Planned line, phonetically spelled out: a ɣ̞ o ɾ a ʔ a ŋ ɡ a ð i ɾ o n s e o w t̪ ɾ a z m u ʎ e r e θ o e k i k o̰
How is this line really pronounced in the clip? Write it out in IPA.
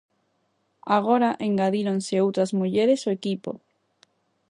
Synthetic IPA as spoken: a ɣ̞ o ɾ a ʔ e ŋ ɡ a ð i ɾ o n s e o w t̪ ɾ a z m u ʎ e ɾ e s o e k i p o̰

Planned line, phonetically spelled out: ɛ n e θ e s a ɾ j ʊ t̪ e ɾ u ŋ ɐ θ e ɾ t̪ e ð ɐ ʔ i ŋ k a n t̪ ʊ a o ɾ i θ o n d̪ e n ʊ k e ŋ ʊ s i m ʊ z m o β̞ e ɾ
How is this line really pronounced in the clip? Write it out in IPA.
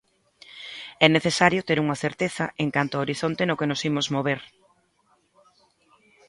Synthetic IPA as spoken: ɛ n e θ e s a ɾ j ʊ t̪ e ɾ u ŋ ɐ θ e ɾ t̪ e θ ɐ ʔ e ŋ k a n t̪ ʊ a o ɾ i θ o n t̪ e n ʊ k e n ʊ s i m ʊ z m o β̞ e ɾ

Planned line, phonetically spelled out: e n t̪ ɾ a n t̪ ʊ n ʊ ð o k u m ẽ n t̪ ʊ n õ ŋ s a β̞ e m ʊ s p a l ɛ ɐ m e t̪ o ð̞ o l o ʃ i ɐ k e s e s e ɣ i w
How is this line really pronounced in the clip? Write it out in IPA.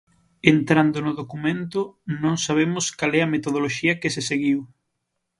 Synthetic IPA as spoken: e n t̪ ɾ a n d̪ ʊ n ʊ ð o k u m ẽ n t̪ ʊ n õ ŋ s a β̞ e m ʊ s k a l ɛ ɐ m e t̪ o ð̞ o l o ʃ i ɐ k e s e s e ɣ i w

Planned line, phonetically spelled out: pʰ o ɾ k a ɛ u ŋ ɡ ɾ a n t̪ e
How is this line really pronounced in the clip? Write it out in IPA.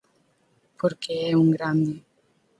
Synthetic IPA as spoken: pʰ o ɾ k e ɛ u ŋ ɡ ɾ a n d̪ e

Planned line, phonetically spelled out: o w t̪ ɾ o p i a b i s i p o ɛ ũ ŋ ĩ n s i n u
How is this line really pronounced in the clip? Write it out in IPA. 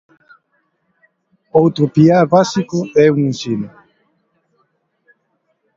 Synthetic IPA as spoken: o w t̪ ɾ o p i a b a s i k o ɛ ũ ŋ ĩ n s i n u

